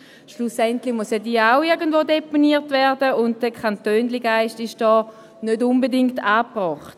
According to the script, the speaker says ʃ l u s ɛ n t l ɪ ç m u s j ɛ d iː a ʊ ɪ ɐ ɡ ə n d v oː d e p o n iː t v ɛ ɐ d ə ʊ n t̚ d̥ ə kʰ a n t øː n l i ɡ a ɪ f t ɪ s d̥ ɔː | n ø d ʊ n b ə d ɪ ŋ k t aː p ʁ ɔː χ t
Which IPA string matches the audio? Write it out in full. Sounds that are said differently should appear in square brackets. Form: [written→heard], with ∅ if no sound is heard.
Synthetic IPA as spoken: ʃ l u s ɛ n t l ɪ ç m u s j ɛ d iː a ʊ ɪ ɐ ɡ ə n d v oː d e p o n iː t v ɛ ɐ d ə ʊ n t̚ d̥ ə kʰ a n t øː n l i ɡ a ɪ [f→ʃ] t ɪ [s→ʃ] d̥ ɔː | n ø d ʊ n b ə d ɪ ŋ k t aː p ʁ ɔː χ t